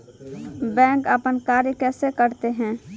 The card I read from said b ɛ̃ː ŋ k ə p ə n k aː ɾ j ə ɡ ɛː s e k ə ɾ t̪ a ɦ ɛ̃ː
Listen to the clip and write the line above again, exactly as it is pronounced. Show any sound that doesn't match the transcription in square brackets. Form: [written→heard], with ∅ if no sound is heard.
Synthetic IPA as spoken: b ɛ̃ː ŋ k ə p ə n k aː ɾ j ə [ɡ→k] ɛː s e k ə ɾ t̪ [a→e] ɦ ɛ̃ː